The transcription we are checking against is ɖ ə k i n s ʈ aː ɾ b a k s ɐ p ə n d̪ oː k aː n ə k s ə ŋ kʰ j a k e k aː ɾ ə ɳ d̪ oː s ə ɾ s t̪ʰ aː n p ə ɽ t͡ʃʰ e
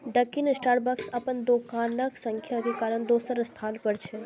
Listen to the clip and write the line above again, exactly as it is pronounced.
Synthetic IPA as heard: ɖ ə k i n s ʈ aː ɾ b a k s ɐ p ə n d̪ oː k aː n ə k s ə ŋ kʰ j a k e k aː ɾ ə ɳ d̪ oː s ə ɾ s t̪ʰ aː n p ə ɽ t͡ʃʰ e